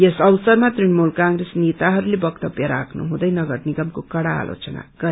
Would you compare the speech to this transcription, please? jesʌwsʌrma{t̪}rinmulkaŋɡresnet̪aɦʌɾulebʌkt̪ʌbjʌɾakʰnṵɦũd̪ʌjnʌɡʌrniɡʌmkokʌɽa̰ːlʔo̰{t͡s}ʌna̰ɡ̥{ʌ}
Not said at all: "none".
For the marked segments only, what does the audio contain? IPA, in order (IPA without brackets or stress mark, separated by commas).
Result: t̪, t͡s, ʌ